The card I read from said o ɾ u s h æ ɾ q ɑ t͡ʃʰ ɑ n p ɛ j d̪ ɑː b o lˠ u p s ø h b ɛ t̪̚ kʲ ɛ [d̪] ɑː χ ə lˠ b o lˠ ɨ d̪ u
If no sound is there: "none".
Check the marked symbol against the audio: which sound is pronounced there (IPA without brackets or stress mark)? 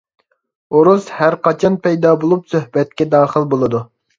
d̪